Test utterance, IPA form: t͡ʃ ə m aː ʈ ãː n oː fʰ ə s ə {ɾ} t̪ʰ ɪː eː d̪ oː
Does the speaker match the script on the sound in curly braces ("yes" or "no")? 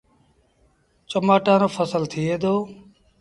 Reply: no